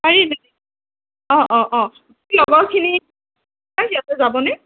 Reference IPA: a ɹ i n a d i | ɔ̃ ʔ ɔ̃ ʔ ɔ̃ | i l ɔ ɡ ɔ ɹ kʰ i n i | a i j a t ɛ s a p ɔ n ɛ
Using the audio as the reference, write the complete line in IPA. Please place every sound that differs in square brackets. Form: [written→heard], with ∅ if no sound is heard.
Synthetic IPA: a ɹ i n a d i | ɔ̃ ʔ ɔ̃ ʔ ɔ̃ | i l ɔ ɡ ɔ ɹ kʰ i n i | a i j a t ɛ [s→z] a [p→b] ɔ n ɛ